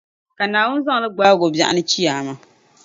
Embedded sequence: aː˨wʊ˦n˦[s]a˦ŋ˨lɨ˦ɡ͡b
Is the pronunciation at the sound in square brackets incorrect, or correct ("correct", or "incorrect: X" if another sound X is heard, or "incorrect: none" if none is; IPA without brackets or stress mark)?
incorrect: z